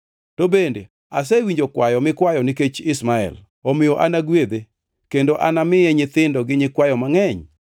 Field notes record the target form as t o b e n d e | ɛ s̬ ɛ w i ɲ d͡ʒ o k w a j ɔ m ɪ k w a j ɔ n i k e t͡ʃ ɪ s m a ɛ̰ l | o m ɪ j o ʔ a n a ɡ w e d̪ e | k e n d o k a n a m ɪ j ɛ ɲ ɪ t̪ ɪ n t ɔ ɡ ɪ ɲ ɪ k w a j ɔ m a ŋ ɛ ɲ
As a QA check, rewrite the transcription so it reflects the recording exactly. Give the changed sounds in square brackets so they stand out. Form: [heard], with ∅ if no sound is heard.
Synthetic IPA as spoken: t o b e n d e | [a] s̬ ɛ w i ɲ d͡ʒ o k w a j ɔ m ɪ k w a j ɔ n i k e t͡ʃ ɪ s m a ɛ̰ l | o m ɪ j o ʔ a n a ɡ w e d̪ e | k e n d o [ʔ] a n a m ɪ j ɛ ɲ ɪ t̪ ɪ n [d] ɔ ɡ ɪ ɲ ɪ k w a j ɔ m a ŋ ɛ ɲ